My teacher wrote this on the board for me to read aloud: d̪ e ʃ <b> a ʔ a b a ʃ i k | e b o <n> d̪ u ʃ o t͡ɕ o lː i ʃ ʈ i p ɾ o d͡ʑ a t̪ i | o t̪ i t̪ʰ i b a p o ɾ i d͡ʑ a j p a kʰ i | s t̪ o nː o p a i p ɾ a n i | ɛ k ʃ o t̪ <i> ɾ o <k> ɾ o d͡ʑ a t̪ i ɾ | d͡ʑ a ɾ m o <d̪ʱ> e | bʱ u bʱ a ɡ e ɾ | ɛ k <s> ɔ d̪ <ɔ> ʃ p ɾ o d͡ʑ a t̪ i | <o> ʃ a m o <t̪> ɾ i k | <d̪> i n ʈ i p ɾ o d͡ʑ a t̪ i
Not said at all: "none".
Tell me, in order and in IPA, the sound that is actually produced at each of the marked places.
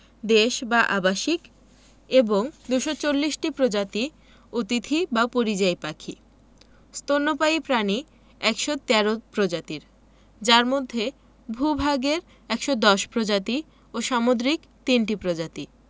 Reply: b, ŋ, ɛ, p, d̪ʱː, ʃ, ɔ, o, d̪, t̪

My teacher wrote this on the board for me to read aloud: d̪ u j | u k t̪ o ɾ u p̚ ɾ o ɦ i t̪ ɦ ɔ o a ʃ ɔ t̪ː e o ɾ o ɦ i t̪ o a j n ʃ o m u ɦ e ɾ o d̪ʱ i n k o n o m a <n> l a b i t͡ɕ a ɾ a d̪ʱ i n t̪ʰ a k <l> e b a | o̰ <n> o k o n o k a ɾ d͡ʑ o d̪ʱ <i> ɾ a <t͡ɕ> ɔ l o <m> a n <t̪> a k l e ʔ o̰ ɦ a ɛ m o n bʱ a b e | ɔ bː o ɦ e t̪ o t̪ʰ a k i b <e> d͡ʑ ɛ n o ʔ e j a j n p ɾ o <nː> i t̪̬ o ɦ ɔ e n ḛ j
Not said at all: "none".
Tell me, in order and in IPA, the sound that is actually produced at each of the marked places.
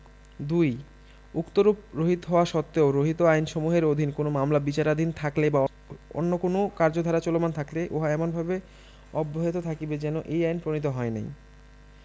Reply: m, l, nː, a, t͡ɕ, m, t̪ʰ, e, n

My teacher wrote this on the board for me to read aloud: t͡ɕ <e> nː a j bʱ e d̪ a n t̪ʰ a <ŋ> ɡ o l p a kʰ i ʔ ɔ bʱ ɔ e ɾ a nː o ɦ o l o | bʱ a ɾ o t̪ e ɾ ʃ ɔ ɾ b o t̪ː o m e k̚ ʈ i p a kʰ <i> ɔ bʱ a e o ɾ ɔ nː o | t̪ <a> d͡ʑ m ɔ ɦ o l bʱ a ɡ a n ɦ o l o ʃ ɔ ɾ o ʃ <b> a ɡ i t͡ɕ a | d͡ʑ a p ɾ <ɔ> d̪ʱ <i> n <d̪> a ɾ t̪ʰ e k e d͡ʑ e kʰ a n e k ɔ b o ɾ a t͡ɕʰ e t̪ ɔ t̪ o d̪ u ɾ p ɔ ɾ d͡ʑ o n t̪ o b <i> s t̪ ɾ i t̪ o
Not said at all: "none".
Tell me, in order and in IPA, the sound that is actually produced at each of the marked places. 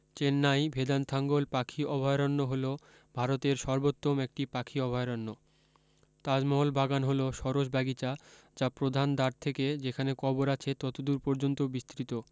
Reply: e, ŋ, i, a, b, o, a, d̪, i

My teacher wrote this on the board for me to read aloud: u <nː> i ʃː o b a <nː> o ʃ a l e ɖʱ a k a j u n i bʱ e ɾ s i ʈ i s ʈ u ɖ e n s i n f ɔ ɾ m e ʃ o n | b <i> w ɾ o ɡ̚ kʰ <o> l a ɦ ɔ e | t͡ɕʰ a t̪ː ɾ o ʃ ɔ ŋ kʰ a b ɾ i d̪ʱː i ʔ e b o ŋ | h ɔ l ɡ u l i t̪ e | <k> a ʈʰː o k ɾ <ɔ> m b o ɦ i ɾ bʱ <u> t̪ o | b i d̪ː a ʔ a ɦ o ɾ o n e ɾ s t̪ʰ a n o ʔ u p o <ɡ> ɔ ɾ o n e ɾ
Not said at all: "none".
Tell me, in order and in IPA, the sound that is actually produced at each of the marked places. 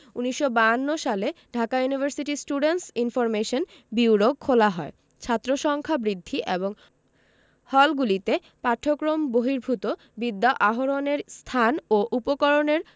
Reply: n, nː, i, o, p, o, u, k

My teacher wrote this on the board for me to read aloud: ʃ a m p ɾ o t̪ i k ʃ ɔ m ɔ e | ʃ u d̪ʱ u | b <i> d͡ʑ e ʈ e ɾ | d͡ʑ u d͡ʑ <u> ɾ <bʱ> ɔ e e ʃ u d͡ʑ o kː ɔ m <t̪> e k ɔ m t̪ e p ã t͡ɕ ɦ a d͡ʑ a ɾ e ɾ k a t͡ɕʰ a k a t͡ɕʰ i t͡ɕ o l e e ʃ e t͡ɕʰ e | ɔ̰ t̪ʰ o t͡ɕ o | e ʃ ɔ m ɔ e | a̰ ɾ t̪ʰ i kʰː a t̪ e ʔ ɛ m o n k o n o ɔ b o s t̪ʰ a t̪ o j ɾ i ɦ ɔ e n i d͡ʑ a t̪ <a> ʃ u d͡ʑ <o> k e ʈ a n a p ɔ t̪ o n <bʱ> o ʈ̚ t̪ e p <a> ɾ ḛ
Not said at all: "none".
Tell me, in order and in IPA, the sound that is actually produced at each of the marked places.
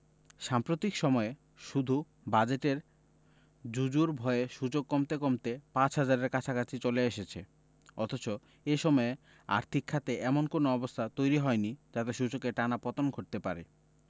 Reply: a, u, bʱ, t̪, e, o, ɡʱ, a

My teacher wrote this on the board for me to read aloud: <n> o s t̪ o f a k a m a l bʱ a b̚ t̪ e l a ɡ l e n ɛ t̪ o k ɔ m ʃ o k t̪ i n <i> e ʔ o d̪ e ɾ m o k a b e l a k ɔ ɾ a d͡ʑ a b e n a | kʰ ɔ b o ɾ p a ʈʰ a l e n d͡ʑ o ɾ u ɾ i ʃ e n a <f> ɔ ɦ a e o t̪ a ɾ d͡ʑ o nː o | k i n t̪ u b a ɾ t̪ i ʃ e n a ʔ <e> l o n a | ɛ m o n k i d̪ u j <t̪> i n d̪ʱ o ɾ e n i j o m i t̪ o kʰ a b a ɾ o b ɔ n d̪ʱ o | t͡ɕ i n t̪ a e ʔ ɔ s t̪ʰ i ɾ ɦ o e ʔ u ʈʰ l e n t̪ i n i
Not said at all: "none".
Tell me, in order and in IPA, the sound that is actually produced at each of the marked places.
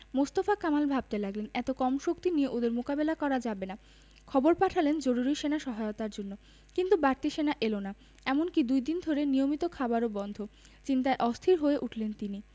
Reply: m, i, ʃ, e, d̪

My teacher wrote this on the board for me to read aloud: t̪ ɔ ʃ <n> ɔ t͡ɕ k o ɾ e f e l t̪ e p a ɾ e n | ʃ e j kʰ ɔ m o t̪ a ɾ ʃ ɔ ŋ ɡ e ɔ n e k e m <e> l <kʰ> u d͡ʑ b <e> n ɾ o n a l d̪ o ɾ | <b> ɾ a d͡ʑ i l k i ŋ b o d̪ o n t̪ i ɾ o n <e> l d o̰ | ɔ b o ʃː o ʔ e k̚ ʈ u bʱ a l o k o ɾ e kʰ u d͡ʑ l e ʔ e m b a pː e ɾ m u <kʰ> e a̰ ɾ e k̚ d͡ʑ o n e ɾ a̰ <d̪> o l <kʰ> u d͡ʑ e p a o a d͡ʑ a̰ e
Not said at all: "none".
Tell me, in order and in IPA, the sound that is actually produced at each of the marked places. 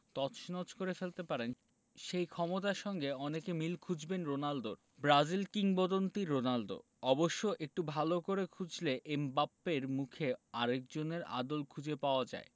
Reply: n, i, kʰ, e, b, a, kʰ, d̪, kʰ

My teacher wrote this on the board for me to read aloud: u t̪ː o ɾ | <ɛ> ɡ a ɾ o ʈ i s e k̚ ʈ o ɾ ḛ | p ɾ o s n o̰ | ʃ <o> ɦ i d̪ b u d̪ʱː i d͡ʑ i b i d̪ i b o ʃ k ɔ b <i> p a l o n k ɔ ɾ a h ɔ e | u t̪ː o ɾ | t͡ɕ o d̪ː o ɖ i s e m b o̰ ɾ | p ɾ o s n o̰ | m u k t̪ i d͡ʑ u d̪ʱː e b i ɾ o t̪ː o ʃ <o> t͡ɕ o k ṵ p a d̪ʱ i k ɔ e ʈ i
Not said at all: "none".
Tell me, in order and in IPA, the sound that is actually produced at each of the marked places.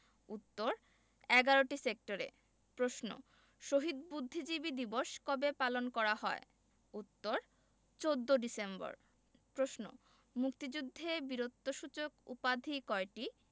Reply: ɛ, o, e, u

